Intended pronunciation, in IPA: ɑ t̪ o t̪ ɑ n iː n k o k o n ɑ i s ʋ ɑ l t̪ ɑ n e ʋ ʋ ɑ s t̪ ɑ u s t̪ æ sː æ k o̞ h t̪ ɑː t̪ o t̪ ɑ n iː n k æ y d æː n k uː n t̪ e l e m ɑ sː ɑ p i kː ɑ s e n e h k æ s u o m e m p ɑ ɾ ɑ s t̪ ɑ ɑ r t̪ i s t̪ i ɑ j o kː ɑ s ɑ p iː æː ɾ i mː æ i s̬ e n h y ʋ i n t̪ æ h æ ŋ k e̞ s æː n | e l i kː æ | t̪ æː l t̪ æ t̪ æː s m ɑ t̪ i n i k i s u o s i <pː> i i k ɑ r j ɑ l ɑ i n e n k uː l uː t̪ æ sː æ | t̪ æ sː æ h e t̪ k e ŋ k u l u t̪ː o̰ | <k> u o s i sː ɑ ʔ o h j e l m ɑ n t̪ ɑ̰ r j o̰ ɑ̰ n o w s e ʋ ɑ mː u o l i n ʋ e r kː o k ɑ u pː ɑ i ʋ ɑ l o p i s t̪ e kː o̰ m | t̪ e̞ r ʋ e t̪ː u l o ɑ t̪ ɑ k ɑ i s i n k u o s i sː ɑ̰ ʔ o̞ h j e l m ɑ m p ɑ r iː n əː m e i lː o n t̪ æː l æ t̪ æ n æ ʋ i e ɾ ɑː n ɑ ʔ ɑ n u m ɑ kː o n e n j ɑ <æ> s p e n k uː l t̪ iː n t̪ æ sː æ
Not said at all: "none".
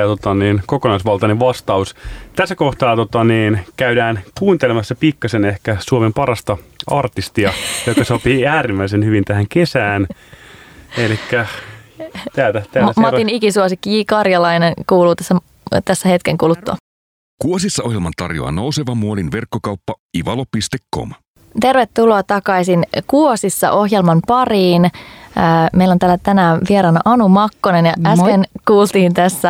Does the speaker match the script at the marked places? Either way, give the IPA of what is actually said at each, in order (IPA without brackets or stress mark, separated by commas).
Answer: kː, k, æ